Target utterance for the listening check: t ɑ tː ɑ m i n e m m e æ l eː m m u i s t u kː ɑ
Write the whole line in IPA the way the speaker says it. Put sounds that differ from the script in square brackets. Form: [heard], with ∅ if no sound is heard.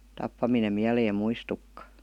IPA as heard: t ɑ [pː] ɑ m i n e m m [i] æ l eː m m u i s t u kː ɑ